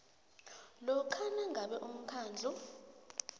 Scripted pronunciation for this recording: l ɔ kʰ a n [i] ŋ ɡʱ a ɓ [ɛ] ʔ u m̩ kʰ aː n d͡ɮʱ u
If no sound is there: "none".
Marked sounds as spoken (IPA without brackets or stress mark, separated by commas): a, ɛ